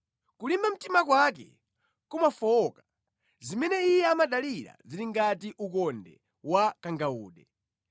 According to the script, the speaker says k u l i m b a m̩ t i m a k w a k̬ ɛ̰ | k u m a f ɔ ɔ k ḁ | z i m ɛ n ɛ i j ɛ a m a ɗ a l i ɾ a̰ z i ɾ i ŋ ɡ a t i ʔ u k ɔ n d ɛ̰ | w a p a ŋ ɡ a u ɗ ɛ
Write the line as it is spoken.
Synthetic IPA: k u l i m b a m̩ t i m a k w a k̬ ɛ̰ | k u m a f ɔ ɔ k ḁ | z i m ɛ n ɛ i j ɛ a m a ɗ a l i ɾ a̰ z i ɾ i ŋ ɡ a t i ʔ u k ɔ n d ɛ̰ | w a k a ŋ ɡ a uː ɗ ɛ

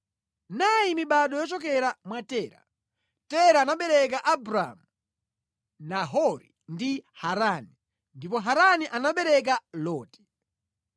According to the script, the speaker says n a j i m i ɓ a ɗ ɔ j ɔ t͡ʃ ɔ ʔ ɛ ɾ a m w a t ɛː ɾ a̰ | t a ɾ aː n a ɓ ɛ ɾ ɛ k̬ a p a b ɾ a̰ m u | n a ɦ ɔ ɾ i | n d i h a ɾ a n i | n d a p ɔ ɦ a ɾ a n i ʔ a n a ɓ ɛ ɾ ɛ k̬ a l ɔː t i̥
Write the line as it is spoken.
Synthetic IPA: n a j i m i ɓ a ɗ ɔ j ɔ t͡ʃ ɔ k ɛ ɾ a m w a t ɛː ɾ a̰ | t ɛ ɾ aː n a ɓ ɛ ɾ ɛ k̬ a ʔ a b ɾ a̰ m u | n a ɦ ɔ ɾ i | n d i h a ɾ a n i | n d i p ɔ ɦ a ɾ a n i ʔ a n a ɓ ɛ ɾ ɛ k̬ a l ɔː t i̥

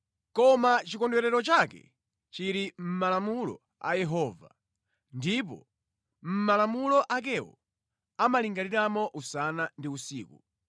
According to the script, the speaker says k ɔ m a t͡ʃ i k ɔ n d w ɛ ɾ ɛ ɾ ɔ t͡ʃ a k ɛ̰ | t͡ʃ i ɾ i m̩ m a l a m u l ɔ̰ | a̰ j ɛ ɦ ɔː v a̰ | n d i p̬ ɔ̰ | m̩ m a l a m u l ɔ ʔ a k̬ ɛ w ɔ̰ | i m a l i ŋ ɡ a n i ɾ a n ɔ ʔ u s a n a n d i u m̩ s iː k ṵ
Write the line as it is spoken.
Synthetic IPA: k ɔ m a t͡ʃ i k ɔ n d w ɛ ɾ ɛ ɾ ɔ t͡ʃ a k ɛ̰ | t͡ʃ i ɾ i m̩ m a l a m u l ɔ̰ | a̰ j ɛ ɦ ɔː v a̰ | n d i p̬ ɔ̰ | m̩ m a l a m u l ɔ ʔ a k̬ ɛ w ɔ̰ | a m a l i ŋ ɡ a n i ɾ a m ɔ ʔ u s a n a n d i u s iː k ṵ

